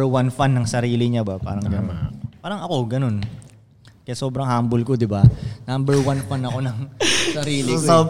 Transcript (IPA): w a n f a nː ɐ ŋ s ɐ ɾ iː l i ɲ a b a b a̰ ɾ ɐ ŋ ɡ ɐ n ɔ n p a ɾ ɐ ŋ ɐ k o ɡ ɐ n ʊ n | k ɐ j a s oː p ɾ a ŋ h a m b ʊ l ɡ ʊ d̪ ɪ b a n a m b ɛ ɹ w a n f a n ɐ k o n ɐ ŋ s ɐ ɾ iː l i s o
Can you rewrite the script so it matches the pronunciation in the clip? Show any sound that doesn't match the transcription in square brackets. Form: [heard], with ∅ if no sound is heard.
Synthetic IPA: w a n f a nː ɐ ŋ s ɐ ɾ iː l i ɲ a b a [p] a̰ ɾ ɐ ŋ ɡ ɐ n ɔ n p a ɾ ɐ ŋ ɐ k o ɡ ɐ n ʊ n | k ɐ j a s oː [b] ɾ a ŋ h a m b ʊ l [k] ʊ d̪ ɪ b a n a m b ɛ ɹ w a n f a n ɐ k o n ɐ ŋ s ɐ ɾ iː l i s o